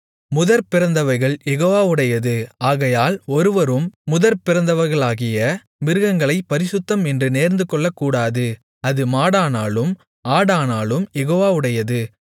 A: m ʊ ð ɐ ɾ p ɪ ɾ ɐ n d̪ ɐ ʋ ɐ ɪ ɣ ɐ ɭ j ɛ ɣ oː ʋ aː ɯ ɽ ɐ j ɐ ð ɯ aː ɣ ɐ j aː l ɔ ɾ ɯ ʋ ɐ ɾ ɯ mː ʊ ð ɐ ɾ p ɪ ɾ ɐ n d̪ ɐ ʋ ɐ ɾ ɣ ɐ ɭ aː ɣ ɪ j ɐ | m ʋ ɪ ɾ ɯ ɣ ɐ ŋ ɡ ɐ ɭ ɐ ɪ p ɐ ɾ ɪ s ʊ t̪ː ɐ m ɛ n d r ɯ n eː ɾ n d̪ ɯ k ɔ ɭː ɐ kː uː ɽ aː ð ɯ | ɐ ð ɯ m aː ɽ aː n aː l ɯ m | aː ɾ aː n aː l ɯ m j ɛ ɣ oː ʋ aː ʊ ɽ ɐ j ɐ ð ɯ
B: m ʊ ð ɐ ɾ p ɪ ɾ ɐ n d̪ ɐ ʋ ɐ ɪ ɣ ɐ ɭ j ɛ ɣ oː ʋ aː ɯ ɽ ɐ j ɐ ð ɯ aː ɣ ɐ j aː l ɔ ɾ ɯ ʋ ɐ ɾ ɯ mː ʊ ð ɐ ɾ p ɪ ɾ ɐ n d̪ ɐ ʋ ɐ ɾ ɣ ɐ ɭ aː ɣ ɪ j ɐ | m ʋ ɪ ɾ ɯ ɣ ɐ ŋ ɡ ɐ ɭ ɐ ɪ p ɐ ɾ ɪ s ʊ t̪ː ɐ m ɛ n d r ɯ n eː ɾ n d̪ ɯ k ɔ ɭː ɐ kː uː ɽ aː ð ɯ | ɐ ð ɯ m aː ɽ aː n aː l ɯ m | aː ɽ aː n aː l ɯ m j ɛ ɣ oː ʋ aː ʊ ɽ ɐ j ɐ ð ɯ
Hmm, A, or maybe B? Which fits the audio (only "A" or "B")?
B